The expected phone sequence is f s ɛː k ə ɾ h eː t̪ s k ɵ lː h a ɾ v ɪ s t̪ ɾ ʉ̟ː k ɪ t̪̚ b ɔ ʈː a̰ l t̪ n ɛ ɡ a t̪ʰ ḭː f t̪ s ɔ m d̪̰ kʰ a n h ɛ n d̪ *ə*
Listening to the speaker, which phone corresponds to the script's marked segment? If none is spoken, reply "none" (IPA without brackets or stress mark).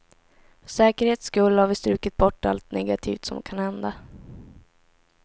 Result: a